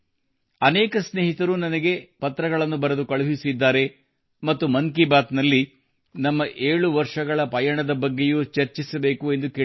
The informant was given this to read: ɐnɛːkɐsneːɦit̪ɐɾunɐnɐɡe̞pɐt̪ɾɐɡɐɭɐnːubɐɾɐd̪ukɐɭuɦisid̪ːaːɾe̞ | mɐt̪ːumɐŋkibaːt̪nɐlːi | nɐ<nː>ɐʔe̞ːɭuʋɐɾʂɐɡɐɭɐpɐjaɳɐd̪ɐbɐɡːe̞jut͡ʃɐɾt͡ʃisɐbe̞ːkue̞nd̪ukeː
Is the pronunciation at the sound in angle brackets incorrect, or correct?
incorrect